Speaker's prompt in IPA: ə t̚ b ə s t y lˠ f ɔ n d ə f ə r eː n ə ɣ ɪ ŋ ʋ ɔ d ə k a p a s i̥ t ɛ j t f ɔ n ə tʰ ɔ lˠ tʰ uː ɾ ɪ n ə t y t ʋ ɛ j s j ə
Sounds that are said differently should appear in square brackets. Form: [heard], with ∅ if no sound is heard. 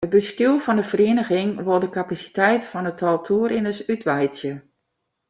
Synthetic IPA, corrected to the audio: ə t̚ b ə s t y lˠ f ɔ n d ə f ə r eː n ə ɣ ɪ ŋ ʋ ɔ d ə k a p a s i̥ t ɛ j t f ɔ n ə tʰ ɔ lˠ tʰ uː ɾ ɪ n ə [s] y t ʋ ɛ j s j ə